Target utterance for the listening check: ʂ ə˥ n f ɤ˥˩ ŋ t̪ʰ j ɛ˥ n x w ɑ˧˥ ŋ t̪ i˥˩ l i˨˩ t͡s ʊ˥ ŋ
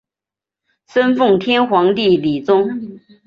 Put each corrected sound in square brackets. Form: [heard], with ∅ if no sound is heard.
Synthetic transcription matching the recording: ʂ ə˥ n f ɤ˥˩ ŋ t̪ʰ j ɛ˥ n x w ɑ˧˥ ŋ t̪ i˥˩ l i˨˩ t͡s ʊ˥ ŋ